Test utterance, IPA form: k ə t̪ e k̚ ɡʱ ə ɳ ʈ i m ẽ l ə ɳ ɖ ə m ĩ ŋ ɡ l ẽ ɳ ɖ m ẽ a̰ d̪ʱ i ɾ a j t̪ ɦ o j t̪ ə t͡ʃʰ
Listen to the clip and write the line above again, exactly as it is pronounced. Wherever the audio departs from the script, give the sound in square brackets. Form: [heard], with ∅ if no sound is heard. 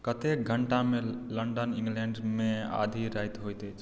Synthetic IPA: k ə t̪ e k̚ ɡʱ ə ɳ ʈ [a] m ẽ l ə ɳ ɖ ə [n] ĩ ŋ ɡ l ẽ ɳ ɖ m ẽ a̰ d̪ʱ i ɾ a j t̪ ɦ o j t̪ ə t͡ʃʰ